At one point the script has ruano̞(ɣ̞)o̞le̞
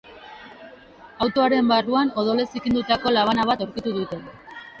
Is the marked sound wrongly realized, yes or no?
yes